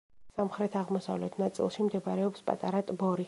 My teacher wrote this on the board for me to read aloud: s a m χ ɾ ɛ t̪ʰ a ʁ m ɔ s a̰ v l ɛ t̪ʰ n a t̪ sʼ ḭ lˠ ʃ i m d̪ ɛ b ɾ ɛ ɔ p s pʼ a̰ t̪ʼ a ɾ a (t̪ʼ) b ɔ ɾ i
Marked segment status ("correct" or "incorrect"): correct